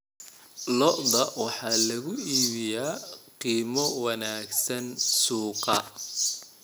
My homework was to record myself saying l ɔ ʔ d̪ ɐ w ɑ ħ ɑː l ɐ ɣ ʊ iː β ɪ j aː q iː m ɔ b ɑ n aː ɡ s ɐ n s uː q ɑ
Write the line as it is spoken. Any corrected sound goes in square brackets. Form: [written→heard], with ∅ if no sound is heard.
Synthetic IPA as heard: l ɔ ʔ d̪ ɐ w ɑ ħ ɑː l ɐ ɣ ʊ iː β ɪ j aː q iː m ɔ [b→w] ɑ n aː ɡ s ɐ n s uː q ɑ